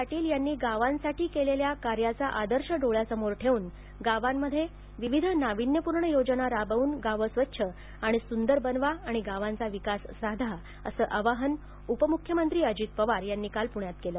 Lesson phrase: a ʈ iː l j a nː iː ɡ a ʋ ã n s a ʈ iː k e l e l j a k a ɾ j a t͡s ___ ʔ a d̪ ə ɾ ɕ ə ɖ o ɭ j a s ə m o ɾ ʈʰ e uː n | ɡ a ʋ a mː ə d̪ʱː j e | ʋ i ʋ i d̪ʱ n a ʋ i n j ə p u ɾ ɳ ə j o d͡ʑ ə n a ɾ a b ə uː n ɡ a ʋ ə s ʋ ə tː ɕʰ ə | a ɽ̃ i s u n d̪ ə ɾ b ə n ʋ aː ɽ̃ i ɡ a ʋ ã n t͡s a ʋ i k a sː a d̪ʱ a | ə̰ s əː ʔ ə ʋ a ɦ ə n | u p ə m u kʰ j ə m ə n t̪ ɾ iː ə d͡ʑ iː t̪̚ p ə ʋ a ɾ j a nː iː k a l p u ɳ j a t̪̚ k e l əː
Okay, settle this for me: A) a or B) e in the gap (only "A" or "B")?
A